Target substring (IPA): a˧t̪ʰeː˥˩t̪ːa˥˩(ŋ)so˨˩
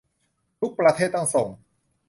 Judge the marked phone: correct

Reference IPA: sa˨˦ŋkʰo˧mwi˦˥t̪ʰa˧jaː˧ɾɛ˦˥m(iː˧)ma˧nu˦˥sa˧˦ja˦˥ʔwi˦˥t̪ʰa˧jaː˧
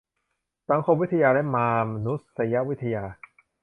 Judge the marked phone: incorrect: aː˧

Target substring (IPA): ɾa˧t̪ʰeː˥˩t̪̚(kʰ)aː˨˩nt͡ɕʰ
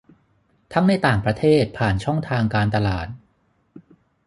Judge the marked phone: incorrect: pʰ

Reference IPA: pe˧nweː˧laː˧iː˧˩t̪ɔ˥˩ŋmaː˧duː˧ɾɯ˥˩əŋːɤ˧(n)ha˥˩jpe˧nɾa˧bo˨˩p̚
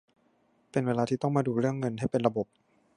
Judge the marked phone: correct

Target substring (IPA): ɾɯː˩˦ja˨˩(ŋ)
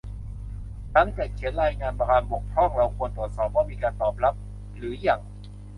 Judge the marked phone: correct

